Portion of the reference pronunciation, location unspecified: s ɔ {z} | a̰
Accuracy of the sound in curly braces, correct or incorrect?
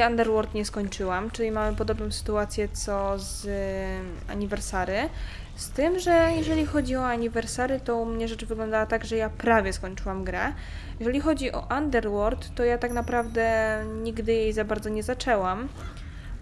correct